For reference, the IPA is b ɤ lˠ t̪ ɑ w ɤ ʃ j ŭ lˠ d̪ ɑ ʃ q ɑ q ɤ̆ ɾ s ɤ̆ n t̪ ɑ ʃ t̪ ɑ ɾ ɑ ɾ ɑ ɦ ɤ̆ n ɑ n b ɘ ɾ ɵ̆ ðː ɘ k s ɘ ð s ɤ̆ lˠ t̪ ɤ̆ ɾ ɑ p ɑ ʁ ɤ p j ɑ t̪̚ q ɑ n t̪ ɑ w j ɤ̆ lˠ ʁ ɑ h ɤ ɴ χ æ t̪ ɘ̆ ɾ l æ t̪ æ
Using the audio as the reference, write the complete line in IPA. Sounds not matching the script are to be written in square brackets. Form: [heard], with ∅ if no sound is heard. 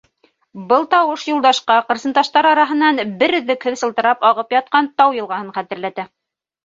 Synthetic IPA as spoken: b ɤ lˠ t̪ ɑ w ɤ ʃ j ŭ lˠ d̪ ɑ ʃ q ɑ q ɤ̆ ɾ s ɤ̆ n t̪ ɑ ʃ t̪ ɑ ɾ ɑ ɾ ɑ ɦ ɤ̆ n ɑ n b ɘ ɾ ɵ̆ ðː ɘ k [h] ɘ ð s ɤ̆ lˠ t̪ ɤ̆ ɾ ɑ p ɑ ʁ ɤ p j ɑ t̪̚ q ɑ n t̪ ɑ w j ɤ̆ lˠ ʁ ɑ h ɤ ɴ χ æ t̪ ɘ̆ ɾ l æ t̪ æ